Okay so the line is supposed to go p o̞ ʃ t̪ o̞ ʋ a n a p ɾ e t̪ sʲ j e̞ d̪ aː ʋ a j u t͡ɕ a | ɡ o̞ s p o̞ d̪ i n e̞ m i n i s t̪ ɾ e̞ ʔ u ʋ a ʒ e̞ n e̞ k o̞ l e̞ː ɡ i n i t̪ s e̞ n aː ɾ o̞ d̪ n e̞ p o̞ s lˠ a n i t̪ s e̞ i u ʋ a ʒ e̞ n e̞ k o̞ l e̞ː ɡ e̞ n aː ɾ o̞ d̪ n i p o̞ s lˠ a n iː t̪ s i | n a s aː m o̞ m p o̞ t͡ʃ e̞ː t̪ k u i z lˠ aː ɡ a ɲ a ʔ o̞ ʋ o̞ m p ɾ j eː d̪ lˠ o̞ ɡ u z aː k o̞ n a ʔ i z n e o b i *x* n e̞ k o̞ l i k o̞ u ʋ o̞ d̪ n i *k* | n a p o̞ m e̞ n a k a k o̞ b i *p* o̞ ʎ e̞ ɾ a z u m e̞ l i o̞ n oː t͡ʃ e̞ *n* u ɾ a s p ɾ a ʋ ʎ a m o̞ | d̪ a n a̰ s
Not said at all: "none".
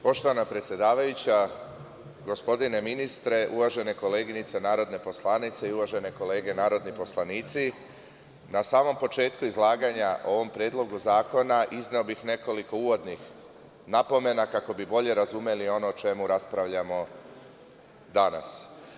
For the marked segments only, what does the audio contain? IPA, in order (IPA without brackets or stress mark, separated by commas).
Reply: x, x, b, m